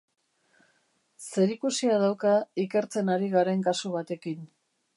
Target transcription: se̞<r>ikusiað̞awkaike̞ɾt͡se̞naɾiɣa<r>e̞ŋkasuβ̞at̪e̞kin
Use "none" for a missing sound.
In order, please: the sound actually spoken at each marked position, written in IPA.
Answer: ɾ, ɾ

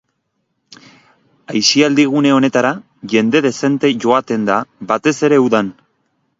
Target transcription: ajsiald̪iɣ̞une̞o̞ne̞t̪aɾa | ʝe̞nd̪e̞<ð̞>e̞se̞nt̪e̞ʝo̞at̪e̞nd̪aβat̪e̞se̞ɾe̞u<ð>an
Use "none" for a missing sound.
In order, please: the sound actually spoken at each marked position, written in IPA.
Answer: ð̞, ð

